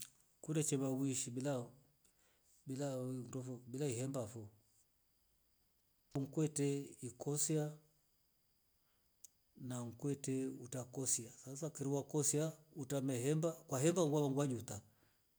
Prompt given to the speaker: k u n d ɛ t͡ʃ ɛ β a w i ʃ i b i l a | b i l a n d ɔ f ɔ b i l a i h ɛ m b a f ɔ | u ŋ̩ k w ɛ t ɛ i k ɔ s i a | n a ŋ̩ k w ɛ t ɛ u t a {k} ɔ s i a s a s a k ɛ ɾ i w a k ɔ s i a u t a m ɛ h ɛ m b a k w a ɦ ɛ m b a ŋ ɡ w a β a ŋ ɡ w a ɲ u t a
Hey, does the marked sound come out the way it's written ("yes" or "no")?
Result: yes